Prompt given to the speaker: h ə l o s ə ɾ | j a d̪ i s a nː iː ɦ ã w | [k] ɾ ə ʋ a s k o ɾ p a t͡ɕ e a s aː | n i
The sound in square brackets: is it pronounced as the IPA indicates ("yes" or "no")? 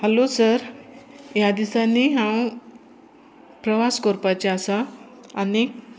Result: no